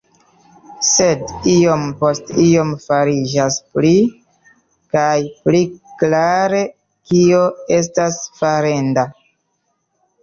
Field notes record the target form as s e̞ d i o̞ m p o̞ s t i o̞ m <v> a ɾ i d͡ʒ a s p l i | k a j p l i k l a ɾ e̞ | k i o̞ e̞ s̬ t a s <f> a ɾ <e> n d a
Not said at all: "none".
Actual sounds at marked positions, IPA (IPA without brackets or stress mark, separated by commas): f, f, e